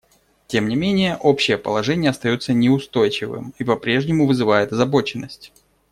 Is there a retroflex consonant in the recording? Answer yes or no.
yes